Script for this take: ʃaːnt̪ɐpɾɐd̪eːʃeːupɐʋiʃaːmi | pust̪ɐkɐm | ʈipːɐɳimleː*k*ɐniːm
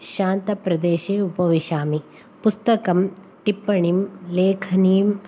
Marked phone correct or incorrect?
incorrect